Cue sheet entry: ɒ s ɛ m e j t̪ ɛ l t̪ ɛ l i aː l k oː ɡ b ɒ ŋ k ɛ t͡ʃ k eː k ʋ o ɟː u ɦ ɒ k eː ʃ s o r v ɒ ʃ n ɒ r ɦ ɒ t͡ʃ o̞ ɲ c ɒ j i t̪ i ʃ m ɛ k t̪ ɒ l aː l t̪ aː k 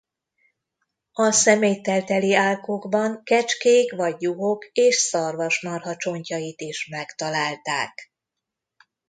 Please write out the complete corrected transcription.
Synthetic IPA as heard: ɒ s ɛ m e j t̪ ɛ l t̪ ɛ l i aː l k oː ɡ b ɒ ŋ k ɛ t͡ʃ k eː k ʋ ɒ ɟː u ɦ o k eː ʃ s ɒ r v ɒ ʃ n ɒ r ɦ ɒ t͡ʃ o̞ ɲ c ɒ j i t̪ i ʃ m ɛ k t̪ ɒ l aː l t̪ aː k